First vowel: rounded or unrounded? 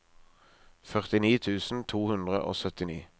rounded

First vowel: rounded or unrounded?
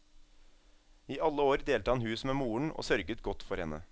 unrounded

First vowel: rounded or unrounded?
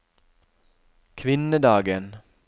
unrounded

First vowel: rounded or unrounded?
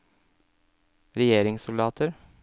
unrounded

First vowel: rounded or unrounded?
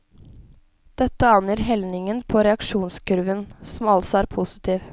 unrounded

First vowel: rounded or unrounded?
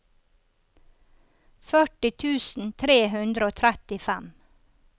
rounded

